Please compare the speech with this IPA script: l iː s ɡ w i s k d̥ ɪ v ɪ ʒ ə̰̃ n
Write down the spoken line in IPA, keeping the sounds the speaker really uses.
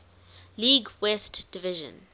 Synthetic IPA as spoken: l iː ɡ w ɛ s t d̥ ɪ v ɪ ʒ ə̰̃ n